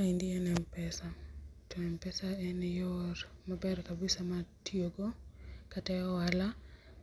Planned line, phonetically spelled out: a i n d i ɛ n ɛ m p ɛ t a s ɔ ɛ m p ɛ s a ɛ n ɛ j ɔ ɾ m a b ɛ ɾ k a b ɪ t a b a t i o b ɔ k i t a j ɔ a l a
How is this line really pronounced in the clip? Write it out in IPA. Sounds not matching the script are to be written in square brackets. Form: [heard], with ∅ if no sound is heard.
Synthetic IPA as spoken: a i n d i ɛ n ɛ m p ɛ [s] a [t] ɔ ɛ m p ɛ s a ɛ n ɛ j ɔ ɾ m a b ɛ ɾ k a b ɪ [s] a [m] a t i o [ɡ] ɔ k [a] t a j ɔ a l a